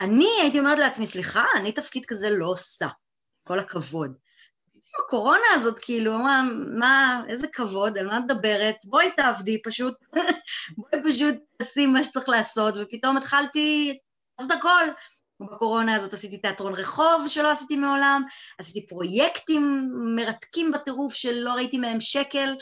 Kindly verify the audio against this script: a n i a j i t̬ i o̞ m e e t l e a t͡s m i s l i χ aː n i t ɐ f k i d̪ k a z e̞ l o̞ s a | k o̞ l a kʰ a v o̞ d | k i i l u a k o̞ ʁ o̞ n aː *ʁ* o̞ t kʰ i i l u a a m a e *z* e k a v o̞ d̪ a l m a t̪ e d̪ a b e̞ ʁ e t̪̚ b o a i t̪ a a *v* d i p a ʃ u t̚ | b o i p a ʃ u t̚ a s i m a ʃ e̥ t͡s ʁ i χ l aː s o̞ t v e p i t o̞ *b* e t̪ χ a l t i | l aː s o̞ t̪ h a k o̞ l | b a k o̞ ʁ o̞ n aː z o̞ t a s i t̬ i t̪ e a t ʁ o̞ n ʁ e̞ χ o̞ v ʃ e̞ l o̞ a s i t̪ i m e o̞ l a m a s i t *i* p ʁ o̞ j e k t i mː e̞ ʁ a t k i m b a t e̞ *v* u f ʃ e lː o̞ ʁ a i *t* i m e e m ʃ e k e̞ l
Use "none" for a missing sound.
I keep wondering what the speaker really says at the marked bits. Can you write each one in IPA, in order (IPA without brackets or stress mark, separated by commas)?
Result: z, z, v, m, i, ʁ, t